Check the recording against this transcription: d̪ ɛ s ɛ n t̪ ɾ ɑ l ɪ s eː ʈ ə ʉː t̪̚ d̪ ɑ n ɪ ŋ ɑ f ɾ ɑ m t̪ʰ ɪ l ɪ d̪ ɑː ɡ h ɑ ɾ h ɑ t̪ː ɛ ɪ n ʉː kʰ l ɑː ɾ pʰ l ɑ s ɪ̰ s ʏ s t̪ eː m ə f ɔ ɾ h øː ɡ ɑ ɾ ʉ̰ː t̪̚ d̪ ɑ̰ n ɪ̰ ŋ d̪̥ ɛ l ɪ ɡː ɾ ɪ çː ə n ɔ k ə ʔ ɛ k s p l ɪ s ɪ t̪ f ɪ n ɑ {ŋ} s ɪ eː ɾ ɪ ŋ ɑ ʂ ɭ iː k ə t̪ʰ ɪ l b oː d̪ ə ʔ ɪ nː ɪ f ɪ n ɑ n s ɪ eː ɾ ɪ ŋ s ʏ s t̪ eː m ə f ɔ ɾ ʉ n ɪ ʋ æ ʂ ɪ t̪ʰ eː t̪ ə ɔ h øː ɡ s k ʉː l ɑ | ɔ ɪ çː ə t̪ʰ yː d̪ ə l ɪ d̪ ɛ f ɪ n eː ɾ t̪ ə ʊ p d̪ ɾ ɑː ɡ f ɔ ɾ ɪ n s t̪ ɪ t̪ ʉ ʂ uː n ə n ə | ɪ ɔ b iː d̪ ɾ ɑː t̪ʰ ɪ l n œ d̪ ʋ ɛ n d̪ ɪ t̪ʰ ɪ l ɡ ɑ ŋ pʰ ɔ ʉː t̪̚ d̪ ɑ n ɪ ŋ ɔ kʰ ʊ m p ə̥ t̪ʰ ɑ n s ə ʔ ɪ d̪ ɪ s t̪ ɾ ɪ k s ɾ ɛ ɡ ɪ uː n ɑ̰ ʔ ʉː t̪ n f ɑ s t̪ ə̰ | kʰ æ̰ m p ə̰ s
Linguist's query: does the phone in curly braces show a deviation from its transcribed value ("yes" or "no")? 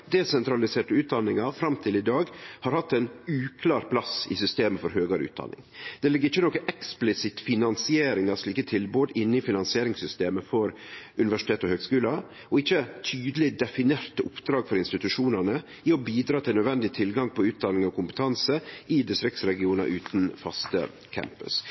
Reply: yes